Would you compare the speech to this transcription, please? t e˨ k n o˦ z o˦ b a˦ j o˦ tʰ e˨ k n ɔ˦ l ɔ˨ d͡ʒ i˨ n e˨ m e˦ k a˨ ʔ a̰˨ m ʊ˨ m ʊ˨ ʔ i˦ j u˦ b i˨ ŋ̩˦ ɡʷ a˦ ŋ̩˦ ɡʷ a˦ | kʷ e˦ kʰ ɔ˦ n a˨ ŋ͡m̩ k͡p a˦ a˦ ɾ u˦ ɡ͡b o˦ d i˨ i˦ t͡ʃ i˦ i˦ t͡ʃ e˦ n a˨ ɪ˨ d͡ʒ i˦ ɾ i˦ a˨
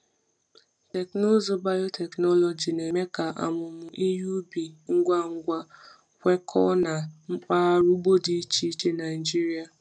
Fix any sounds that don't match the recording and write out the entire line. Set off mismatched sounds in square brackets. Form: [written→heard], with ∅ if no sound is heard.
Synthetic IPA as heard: t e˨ k n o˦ z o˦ b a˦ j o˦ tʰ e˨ k n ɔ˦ l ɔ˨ d͡ʒ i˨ n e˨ m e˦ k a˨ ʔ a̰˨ m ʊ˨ m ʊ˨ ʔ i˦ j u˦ b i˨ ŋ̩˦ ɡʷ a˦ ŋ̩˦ ɡʷ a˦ | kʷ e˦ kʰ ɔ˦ n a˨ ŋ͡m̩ k͡p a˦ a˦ ɾ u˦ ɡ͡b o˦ d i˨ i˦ t͡ʃ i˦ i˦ t͡ʃ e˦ n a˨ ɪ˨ d͡ʒ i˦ ɾ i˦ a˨